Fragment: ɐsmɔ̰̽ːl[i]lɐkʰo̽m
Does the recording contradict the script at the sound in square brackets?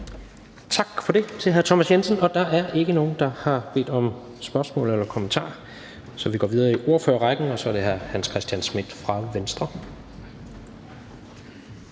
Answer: yes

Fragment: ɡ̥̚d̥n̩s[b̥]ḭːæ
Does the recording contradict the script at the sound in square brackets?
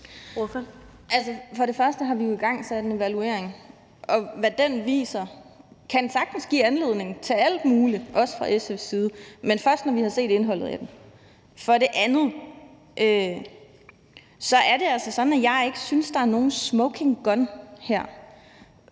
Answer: yes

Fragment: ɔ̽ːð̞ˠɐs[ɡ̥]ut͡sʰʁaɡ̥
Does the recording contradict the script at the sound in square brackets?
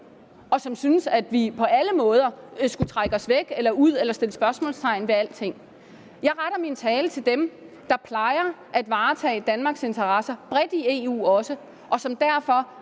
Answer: no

